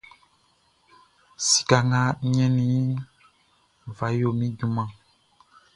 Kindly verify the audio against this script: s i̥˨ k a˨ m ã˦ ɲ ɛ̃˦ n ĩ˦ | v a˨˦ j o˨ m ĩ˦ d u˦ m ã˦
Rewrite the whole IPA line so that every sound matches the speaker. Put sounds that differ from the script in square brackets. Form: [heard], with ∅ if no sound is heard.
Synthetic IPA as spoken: s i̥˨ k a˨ [ŋ] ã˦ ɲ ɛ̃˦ n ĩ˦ | v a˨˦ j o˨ m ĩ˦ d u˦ m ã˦